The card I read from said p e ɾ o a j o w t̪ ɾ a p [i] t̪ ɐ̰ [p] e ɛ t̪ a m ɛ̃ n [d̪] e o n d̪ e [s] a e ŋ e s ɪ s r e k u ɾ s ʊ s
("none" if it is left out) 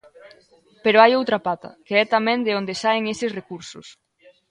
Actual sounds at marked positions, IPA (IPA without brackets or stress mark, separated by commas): a, k, d̪, s